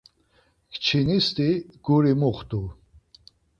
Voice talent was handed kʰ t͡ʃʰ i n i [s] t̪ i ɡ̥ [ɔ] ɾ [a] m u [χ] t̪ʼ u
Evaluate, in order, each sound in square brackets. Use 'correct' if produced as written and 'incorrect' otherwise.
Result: correct, incorrect: u, incorrect: i, correct

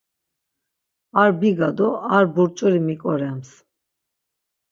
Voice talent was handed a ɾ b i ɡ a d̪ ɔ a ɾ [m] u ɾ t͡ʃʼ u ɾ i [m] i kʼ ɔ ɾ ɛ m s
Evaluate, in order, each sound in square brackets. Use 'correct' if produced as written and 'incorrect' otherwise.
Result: incorrect: b, correct

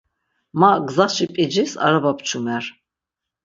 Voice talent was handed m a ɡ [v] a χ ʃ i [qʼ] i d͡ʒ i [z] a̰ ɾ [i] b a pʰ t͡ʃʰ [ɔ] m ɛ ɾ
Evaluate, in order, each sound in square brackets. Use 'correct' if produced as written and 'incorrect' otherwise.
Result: incorrect: z, incorrect: pʼ, incorrect: s, incorrect: a, incorrect: u

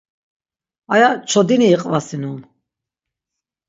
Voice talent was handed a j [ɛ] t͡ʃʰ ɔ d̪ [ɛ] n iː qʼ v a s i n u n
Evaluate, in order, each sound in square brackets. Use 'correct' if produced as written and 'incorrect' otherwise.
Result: incorrect: a, incorrect: i

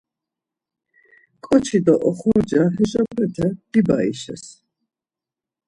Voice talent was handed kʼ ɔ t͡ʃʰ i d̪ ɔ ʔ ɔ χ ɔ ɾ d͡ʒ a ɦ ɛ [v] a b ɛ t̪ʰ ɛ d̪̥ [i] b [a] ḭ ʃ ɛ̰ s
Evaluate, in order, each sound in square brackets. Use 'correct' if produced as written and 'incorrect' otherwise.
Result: incorrect: ʒ, correct, correct

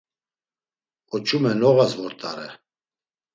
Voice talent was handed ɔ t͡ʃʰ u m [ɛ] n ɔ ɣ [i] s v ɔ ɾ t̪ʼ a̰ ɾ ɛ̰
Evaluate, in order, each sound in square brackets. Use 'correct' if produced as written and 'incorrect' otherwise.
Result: correct, incorrect: a

